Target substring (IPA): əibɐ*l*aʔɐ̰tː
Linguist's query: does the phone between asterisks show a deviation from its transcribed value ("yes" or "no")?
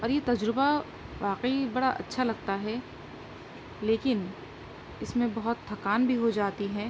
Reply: yes